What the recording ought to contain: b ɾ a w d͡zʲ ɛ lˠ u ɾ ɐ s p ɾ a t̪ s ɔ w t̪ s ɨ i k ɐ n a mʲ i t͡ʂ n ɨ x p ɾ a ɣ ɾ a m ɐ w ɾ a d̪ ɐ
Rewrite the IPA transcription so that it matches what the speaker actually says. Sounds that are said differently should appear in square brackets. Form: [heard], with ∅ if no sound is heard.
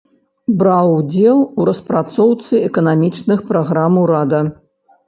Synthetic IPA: b ɾ a w d͡zʲ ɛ lˠ u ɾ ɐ s p ɾ a t̪ s ɔ w t̪ s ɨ [ɛ] k ɐ n a mʲ i t͡ʂ n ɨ x p ɾ a ɣ ɾ a m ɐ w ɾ a d̪ ɐ